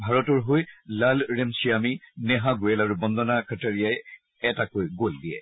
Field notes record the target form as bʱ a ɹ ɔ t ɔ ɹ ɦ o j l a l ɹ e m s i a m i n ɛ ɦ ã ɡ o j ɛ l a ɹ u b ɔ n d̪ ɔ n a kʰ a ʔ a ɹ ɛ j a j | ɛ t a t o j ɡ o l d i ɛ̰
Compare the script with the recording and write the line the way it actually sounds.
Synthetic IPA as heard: bʱ a ɹ ɔ t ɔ ɹ ɦ o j l a l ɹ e m s i a m i n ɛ ɦ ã ɡ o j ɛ l a ɹ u b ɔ n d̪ ɔ n a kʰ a t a ɹ i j a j | ɛ t a k o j ɡ o l d i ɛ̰